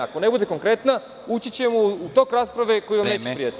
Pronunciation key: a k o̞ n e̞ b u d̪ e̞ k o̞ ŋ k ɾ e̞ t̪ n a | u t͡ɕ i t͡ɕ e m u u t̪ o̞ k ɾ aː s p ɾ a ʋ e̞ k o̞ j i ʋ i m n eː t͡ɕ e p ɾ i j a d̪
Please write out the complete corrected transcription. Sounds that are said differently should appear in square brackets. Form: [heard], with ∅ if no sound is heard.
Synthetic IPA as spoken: a k o̞ n e̞ b u d̪ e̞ k o̞ ŋ k ɾ e̞ t̪ n a | u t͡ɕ i t͡ɕ e m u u t̪ o̞ k ɾ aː s p ɾ a ʋ e̞ k o̞ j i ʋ [a] m n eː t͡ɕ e p ɾ i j a [t̪]

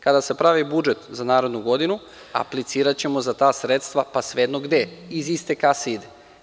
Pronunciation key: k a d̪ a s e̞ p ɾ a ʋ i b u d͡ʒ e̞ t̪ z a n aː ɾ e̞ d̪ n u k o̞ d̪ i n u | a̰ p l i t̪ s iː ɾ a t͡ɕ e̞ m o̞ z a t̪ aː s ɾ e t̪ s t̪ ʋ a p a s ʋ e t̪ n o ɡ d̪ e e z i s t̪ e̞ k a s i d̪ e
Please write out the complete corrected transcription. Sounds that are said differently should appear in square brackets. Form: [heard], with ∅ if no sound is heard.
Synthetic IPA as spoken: k a d̪ a s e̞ p ɾ a ʋ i b u d͡ʒ e̞ t̪ z a n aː ɾ e̞ d̪ n u [ɡ] o̞ d̪ i n u | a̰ p l i t̪ s iː ɾ a t͡ɕ e̞ m o̞ z a t̪ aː s ɾ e t̪ s t̪ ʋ a p a s ʋ e [d̪] n o ɡ d̪ e [i] z i s t̪ e̞ k a s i d̪ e

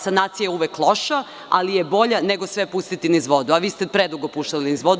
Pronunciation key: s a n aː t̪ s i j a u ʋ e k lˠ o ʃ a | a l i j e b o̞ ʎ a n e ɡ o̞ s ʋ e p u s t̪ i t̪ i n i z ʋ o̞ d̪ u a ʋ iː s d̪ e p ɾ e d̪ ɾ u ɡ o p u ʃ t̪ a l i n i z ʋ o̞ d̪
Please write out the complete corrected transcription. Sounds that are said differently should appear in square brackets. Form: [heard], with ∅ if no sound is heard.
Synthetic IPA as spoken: s a n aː t̪ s i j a u ʋ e k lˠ o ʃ a | a l i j e b o̞ ʎ a n e ɡ o̞ s ʋ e p u s t̪ i t̪ i n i z ʋ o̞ d̪ u a ʋ iː s [t̪] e p ɾ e d̪ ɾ u ɡ o p u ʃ t̪ a l i n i z ʋ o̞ d̪

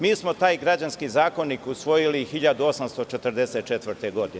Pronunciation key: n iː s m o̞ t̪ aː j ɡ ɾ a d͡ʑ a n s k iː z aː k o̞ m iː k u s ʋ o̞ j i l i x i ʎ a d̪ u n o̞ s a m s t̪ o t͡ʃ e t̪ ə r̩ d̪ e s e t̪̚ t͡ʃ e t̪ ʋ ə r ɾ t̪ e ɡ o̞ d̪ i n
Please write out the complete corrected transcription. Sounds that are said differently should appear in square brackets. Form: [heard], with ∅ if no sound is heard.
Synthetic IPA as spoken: [m] iː s m o̞ t̪ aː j ɡ ɾ a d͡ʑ a n s k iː z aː k o̞ [n] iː k u s ʋ o̞ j i l i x i ʎ a d̪ u [∅] o̞ s a m s t̪ o t͡ʃ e t̪ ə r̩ d̪ e s e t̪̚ t͡ʃ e t̪ ʋ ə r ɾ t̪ e ɡ o̞ d̪ i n

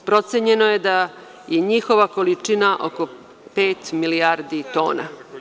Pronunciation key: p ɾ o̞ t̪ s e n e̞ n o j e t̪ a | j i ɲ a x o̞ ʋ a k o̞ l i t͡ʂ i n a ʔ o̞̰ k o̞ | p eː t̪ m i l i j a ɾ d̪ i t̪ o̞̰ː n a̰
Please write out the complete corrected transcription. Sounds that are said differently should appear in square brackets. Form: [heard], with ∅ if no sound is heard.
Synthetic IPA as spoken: p ɾ o̞ t̪ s e [ɲ] e̞ n o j e [d̪] a | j [e] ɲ [i] x o̞ ʋ a k o̞ l i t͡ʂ i n a ʔ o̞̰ k o̞ | p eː t̪ m i l i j a ɾ d̪ i t̪ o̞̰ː n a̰

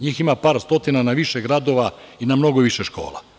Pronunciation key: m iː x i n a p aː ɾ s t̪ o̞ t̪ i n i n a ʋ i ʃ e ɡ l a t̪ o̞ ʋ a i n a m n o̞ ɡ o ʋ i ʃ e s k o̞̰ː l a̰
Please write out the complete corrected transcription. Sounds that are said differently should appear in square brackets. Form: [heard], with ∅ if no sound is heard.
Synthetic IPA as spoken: [ɲ] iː x i [m] a p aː ɾ s t̪ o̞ t̪ i n [a] n a ʋ i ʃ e ɡ [ɾ] a [d̪] o̞ ʋ a i n a m n o̞ ɡ o ʋ i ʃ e [ʃ] k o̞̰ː l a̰

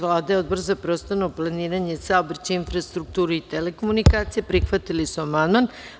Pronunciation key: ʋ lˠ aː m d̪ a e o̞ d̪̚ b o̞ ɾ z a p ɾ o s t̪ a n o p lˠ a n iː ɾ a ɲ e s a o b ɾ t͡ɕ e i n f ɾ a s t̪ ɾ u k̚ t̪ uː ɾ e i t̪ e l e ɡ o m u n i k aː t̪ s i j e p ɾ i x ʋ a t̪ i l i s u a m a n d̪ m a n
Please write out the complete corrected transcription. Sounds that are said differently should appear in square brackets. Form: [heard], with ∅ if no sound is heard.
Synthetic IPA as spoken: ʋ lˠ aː [∅] d̪ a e o̞ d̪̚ b o̞ ɾ z a p ɾ o s t̪ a n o p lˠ a n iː ɾ a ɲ e s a o b ɾ t͡ɕ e i n f ɾ a s t̪ ɾ u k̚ t̪ uː ɾ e i t̪ e l e [k] o m u n i k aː t̪ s i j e p ɾ i x ʋ a t̪ i l i s u a m a n d̪ m a n

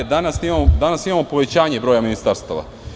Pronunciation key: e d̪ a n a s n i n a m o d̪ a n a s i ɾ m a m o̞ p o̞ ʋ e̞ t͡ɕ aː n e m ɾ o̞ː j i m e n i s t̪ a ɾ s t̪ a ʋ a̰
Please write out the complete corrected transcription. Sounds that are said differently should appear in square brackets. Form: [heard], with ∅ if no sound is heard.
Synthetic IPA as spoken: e d̪ a n a s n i [m] a m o d̪ a n a s i [∅] m a m o̞ p o̞ ʋ e̞ t͡ɕ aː [ɲ] e [b] ɾ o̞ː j [a] m [i] n i s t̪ a ɾ s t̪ a ʋ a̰

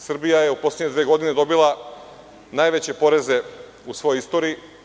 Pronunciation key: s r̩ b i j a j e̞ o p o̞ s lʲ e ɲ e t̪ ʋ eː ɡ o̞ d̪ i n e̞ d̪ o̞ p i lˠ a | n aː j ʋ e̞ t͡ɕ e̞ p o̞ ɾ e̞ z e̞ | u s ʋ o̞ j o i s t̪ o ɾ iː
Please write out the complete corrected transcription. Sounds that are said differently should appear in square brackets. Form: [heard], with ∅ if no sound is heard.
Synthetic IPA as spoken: s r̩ b i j a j e̞ [u] p o̞ s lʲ e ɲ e [d̪] ʋ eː ɡ o̞ d̪ i n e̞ d̪ o̞ [b] i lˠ a | n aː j ʋ e̞ t͡ɕ e̞ p o̞ ɾ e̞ z e̞ | u s ʋ o̞ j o i s t̪ o ɾ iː

